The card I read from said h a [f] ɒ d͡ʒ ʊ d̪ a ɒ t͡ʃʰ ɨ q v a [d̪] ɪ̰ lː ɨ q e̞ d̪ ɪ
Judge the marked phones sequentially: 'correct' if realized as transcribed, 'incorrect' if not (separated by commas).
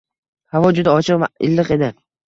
incorrect, incorrect